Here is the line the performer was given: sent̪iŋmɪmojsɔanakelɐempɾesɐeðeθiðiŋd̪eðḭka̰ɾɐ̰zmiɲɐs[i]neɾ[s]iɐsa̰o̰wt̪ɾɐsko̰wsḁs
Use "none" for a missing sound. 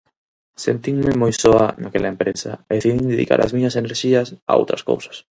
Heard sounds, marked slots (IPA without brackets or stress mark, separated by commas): e, ʃ